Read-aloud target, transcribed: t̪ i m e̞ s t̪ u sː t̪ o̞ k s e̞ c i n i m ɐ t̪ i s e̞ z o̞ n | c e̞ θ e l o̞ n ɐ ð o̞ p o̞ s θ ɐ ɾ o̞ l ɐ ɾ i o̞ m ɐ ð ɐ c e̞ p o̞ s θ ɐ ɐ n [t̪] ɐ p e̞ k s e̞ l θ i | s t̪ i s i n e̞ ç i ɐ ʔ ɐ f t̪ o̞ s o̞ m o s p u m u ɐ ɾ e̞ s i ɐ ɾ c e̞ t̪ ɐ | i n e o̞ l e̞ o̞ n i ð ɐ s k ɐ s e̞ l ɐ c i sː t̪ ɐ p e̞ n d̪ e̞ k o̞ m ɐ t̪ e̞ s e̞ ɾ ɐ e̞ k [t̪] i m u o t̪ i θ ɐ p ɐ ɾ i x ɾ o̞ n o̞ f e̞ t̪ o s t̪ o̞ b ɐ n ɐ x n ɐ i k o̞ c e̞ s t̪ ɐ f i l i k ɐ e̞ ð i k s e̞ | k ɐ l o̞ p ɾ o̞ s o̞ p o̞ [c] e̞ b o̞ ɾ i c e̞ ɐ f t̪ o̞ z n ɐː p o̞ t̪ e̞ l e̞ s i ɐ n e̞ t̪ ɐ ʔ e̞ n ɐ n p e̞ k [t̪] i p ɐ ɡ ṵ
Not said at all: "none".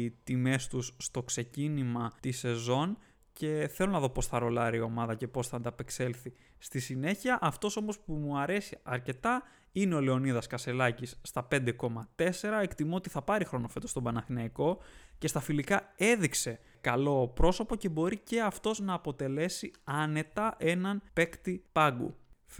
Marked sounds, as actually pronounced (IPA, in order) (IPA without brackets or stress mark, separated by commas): d̪, t̪, c, t̪